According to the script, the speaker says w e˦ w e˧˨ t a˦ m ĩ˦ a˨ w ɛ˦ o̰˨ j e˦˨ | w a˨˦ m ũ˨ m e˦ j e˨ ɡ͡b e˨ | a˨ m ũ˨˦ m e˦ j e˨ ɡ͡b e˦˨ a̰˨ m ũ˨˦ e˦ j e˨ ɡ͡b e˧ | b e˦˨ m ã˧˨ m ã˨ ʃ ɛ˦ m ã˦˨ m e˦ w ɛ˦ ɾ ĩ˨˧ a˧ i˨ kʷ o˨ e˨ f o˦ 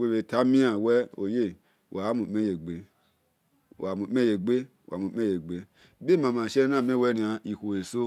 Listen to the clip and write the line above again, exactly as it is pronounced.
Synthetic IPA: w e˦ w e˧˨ t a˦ m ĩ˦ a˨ w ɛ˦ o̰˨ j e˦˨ | w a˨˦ m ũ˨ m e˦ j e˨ ɡ͡b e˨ | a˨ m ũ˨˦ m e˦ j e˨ ɡ͡b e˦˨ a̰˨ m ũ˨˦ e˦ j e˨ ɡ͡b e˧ | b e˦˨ m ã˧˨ m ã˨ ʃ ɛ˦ n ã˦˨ m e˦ w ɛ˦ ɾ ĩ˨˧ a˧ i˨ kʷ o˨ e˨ s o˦